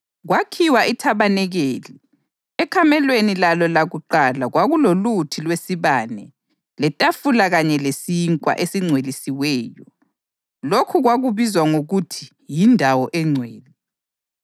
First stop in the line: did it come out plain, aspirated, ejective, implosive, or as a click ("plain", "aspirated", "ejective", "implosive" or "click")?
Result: aspirated